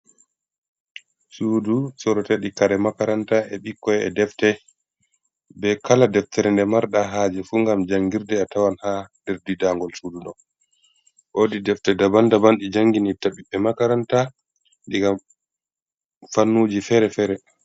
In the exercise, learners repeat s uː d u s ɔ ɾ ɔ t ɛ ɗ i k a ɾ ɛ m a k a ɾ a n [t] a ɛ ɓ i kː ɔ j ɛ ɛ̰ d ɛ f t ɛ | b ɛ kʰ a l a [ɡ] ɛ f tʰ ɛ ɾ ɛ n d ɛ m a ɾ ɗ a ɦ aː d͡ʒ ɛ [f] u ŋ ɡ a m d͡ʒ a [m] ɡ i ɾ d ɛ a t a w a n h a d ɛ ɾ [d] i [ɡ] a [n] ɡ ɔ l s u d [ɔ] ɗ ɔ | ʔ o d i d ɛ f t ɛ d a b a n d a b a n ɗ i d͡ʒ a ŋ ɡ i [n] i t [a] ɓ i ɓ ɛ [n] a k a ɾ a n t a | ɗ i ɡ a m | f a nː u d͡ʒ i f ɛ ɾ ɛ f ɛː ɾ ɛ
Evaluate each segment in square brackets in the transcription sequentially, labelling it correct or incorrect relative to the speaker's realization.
correct, incorrect, correct, incorrect, correct, incorrect, incorrect, incorrect, correct, correct, incorrect

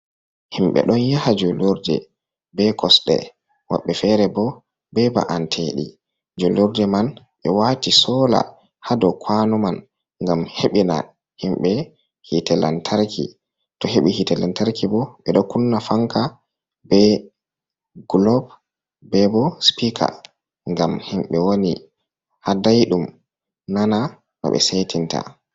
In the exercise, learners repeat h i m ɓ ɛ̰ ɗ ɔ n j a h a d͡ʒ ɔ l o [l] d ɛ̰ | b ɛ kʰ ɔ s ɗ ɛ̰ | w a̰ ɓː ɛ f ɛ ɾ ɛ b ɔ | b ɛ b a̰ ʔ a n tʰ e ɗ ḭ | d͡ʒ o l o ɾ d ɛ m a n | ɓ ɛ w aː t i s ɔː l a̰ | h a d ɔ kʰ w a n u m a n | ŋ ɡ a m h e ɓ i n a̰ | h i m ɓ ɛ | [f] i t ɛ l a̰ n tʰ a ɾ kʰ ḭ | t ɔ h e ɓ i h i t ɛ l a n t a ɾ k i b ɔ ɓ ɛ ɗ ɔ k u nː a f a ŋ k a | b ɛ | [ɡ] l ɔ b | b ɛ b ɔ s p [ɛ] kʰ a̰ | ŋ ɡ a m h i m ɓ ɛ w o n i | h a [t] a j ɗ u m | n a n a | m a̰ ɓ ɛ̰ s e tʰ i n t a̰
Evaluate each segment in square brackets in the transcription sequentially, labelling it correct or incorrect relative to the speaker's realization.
incorrect, incorrect, correct, incorrect, incorrect

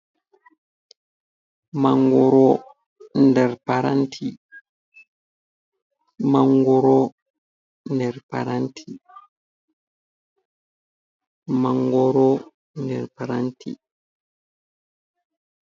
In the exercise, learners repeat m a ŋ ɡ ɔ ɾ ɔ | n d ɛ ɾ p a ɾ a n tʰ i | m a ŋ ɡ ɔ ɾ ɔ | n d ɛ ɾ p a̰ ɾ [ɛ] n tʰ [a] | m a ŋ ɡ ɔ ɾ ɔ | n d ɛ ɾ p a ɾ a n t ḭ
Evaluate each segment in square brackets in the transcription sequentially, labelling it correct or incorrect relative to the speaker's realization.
incorrect, incorrect

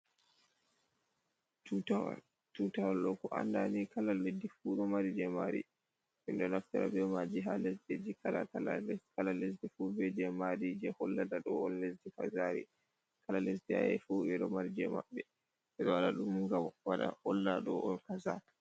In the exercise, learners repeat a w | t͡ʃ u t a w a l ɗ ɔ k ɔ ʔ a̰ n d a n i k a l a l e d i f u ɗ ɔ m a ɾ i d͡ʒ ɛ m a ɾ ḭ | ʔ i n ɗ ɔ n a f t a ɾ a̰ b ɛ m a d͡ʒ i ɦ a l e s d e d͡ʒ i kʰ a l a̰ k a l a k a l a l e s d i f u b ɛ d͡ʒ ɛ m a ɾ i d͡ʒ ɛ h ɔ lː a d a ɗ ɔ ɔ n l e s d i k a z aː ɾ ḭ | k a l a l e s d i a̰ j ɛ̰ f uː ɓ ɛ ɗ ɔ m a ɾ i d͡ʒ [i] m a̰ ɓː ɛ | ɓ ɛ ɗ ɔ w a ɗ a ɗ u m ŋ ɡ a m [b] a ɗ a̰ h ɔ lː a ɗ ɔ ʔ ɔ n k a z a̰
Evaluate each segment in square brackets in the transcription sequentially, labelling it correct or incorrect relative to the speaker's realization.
incorrect, incorrect

